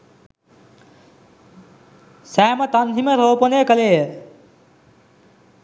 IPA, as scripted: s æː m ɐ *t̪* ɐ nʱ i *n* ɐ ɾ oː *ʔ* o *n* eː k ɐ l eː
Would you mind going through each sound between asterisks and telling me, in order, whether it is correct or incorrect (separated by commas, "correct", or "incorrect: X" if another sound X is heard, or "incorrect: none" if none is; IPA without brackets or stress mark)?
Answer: correct, incorrect: m, incorrect: p, correct